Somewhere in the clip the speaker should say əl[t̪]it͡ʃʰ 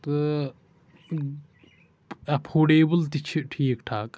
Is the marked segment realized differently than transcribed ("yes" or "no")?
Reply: no